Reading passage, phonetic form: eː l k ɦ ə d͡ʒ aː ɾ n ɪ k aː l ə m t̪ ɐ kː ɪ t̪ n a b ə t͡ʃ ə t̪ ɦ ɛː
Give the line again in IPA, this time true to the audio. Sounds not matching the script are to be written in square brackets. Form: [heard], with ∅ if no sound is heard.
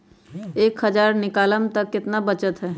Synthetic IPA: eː [∅] k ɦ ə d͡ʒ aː ɾ n ɪ k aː l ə m t̪ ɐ kː ɪ t̪ n a b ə t͡ʃ ə t̪ ɦ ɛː